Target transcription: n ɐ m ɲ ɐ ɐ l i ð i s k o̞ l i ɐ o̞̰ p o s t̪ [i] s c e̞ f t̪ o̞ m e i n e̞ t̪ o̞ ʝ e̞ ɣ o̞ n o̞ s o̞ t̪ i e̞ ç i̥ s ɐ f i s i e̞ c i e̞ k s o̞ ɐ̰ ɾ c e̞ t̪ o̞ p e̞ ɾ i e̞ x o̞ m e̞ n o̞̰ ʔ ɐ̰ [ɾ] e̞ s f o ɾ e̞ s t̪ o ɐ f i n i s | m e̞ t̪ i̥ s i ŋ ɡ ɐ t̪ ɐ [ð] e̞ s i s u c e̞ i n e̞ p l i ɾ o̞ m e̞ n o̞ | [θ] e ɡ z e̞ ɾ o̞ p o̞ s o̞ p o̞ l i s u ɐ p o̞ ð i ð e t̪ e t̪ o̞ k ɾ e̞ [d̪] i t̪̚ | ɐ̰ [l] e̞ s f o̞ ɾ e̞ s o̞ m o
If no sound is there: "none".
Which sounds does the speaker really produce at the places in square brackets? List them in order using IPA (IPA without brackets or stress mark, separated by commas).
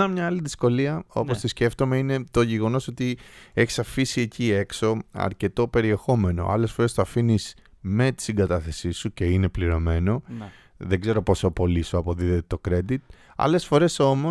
i, l, θ, ð, d̪, l